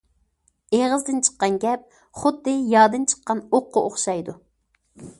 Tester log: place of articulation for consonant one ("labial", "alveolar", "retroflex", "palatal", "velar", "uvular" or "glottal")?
uvular